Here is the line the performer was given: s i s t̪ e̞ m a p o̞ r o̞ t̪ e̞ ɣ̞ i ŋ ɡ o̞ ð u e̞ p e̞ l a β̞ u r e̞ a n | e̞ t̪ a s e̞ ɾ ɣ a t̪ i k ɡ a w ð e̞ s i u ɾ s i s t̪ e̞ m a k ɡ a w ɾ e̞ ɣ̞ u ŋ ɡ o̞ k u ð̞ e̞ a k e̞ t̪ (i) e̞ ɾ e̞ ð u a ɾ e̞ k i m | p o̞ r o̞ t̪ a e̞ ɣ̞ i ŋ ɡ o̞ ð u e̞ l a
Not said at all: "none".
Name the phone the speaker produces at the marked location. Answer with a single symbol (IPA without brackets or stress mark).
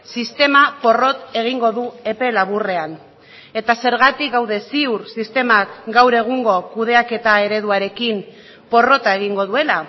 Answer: a